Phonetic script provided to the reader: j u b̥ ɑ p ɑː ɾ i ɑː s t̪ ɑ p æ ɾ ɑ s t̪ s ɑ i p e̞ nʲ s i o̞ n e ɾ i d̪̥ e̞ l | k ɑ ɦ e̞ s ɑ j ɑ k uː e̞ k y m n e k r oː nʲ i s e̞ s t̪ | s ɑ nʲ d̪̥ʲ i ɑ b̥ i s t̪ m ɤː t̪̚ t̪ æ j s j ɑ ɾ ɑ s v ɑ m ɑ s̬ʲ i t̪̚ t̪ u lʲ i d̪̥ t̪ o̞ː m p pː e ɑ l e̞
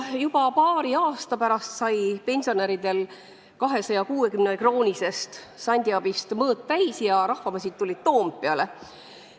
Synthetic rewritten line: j u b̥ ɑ p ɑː ɾ i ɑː s t̪ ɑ p æ ɾ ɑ s t̪ s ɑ j p e̞ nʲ s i o̞ n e ɾ i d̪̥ e̞ l | k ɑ ɦ e̞ s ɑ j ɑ k uː e̞ k y m n e k r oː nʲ i s e̞ s t̪ | s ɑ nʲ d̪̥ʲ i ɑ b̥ i s t̪ m ɤː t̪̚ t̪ æ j s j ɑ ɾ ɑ h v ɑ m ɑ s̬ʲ i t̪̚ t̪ u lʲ i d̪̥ t̪ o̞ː m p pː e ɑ l e̞